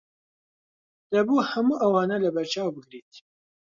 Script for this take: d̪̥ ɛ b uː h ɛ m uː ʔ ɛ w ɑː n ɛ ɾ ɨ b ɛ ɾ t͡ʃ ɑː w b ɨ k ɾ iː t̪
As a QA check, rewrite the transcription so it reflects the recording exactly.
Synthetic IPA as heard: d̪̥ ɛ b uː h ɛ m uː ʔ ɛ w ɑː n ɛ l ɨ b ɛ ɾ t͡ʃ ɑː w b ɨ ɡ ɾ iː t̪